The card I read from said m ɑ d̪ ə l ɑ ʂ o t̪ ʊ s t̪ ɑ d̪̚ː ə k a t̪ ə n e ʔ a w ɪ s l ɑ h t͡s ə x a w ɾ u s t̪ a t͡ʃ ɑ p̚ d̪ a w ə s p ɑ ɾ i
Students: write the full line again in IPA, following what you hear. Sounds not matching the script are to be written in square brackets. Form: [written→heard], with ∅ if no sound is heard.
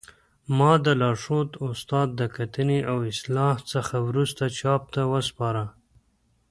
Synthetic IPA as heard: m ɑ d̪ ə l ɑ ʂ o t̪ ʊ s t̪ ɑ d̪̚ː ə k a t̪ ə n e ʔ a w ɪ s l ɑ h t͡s ə x a w ɾ u s t̪ a t͡ʃ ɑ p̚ [d̪→t̪] a w ə s p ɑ ɾ [i→a]